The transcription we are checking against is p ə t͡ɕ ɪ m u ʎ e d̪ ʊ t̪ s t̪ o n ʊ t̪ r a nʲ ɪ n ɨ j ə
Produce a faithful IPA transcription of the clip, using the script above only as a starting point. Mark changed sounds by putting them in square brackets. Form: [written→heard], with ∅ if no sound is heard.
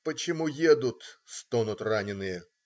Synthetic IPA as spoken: p ə t͡ɕ ɪ m u [ʎ→j] e d̪ ʊ t̪ s t̪ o n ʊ t̪ r a nʲ ɪ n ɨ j ə